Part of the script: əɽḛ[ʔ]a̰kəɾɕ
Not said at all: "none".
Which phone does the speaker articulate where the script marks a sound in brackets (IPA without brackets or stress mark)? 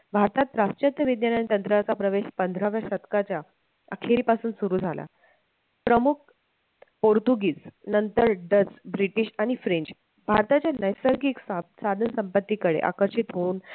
ʔ